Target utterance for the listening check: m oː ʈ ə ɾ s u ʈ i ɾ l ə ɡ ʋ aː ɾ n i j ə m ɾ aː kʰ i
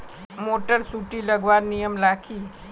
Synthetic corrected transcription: m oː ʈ ə ɾ s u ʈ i l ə ɡ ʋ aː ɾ n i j ə m l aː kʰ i